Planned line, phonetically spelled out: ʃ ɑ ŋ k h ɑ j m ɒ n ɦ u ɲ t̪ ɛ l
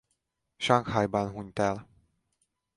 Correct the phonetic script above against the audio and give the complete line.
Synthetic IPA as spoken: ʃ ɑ ŋ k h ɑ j b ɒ n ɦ u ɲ t̪ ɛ l